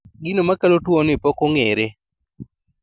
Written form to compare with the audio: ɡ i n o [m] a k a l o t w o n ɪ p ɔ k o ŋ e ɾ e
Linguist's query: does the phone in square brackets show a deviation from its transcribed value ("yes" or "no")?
no